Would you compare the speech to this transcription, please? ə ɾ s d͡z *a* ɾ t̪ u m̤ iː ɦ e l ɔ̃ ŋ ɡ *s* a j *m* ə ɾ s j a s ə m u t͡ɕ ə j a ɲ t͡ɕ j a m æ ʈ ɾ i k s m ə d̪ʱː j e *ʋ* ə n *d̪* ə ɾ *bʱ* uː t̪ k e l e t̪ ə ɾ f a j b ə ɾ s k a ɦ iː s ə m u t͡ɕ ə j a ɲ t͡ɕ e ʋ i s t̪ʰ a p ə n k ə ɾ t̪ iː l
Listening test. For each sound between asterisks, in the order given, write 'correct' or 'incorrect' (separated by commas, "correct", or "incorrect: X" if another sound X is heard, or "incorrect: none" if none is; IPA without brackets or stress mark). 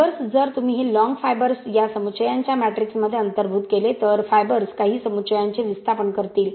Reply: incorrect: ə, incorrect: f, incorrect: b, incorrect: none, incorrect: t̪, correct